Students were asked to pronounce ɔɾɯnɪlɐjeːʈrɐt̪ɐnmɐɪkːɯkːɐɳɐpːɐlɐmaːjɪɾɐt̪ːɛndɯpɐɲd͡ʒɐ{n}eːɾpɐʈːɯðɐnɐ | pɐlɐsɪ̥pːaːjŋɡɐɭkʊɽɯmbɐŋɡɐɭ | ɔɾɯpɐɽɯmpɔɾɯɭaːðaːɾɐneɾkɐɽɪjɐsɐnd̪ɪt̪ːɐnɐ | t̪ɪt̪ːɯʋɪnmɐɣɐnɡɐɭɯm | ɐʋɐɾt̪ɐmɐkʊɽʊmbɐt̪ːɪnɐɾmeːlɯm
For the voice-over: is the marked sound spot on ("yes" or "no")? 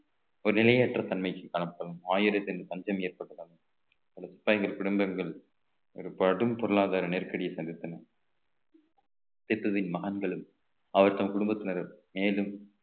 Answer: no